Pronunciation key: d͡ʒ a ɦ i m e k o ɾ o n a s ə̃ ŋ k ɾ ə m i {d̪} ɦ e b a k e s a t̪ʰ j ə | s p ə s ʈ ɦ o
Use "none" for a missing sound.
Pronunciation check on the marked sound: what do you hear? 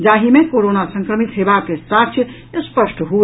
t̪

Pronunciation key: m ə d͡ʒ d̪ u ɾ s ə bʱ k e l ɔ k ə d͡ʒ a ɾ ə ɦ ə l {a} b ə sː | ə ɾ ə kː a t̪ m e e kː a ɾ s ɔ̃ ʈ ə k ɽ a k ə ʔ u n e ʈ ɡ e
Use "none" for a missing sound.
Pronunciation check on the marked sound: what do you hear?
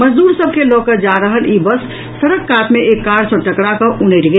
i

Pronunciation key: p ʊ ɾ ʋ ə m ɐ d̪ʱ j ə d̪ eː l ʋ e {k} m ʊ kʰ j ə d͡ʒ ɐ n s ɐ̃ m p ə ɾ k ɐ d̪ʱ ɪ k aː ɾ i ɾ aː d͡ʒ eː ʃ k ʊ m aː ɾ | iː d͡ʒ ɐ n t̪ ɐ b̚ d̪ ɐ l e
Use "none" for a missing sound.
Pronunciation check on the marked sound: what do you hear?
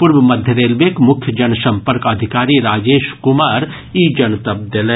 k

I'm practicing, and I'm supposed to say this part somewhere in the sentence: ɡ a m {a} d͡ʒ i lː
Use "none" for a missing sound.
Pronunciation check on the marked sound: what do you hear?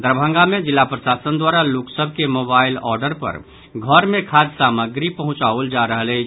e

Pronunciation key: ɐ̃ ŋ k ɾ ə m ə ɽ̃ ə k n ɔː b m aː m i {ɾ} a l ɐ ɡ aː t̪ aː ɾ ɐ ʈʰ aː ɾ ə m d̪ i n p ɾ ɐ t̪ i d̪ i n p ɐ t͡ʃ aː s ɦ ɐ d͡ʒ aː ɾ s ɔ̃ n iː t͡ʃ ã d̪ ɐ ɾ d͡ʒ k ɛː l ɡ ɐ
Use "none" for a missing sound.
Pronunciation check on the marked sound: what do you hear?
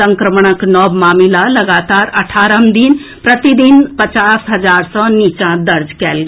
l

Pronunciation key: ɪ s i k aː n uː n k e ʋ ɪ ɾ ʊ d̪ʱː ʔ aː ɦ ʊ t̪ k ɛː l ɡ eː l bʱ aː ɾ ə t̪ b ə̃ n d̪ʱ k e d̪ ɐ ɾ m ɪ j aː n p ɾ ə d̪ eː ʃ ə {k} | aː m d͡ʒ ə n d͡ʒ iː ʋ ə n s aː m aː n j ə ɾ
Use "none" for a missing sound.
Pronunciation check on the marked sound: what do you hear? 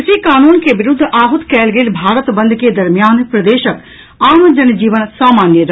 k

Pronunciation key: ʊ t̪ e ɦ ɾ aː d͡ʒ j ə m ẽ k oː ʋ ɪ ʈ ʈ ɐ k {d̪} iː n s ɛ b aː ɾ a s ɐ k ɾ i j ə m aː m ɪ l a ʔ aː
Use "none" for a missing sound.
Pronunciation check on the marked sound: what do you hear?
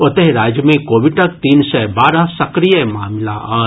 t̪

